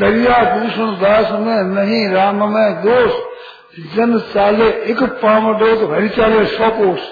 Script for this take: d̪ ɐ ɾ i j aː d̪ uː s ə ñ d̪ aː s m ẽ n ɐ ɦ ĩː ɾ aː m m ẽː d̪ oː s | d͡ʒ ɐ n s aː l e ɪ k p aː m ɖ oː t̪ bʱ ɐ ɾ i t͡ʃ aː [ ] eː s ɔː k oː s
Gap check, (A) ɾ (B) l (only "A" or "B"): B